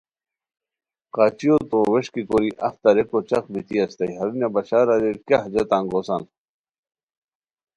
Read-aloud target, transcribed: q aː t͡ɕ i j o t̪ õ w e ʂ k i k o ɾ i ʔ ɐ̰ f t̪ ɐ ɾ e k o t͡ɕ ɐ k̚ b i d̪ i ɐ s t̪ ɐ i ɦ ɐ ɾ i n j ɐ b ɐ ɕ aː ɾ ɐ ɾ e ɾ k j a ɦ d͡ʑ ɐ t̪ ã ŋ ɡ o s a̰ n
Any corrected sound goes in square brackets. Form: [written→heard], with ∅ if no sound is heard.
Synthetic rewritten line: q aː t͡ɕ i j o t̪ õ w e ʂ k i k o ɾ i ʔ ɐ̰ f t̪ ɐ ɾ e k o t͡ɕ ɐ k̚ b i [d̪→t̪] i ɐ s t̪ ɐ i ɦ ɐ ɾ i n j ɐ b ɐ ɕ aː ɾ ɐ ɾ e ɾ k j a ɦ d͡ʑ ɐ t̪ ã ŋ ɡ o s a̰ n